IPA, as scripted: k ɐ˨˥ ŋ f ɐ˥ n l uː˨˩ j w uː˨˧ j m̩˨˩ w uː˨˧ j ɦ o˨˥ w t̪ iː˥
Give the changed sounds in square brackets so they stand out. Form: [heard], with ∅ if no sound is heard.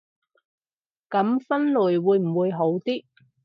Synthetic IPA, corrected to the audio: k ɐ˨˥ [m] f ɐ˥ n l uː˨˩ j w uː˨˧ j m̩˨˩ w uː˨˧ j ɦ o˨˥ w t̪ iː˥